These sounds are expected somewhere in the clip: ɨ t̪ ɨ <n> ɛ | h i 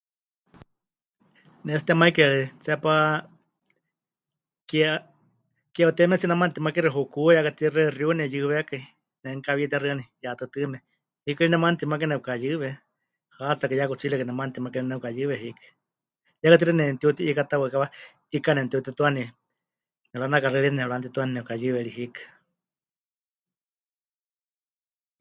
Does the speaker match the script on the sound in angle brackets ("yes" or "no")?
no